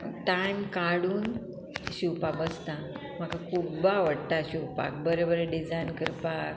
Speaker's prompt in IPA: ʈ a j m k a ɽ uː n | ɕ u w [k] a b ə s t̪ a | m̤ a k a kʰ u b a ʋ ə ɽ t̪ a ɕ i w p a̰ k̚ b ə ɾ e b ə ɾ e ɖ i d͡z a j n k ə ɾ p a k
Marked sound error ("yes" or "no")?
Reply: yes